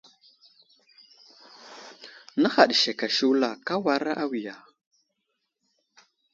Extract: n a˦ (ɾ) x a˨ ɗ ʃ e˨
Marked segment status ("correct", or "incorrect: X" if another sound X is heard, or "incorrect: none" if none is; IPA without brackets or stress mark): incorrect: none